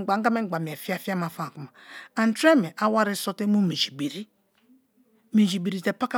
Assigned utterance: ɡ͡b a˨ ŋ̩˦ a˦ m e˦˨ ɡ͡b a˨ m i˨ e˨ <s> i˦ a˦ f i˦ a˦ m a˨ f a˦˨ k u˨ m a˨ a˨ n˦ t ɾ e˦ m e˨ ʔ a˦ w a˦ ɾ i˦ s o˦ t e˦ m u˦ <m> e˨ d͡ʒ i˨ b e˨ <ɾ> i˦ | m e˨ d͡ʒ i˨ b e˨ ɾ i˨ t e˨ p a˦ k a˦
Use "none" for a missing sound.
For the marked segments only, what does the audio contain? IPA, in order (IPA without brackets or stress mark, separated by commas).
f, m, ɾ